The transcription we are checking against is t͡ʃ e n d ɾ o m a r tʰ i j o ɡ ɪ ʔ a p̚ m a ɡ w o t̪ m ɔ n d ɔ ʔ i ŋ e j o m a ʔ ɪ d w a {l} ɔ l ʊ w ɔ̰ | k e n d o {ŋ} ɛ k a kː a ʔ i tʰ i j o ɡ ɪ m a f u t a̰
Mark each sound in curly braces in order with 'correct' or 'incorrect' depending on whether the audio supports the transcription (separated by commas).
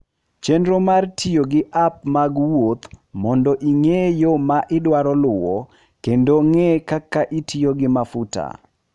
incorrect, correct